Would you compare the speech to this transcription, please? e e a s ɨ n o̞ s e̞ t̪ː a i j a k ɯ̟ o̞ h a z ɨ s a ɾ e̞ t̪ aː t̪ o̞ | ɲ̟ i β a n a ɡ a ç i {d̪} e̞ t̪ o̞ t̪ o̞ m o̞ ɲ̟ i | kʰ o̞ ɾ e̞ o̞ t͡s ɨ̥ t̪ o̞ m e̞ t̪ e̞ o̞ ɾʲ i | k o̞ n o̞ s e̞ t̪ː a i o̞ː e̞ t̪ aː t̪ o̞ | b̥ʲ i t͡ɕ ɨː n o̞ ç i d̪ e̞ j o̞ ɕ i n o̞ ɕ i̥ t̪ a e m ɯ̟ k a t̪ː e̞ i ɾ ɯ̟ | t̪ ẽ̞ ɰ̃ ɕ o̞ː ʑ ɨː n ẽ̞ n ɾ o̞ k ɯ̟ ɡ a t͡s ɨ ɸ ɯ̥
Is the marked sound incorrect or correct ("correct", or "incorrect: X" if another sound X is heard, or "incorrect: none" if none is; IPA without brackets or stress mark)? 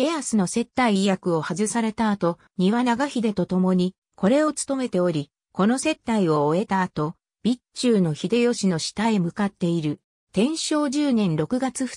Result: correct